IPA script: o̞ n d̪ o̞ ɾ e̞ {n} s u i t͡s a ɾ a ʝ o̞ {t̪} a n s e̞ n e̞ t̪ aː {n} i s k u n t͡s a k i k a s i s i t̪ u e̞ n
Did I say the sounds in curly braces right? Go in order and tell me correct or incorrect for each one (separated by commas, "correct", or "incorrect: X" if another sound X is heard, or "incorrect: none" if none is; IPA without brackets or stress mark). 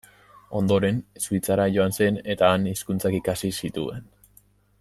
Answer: correct, incorrect: none, correct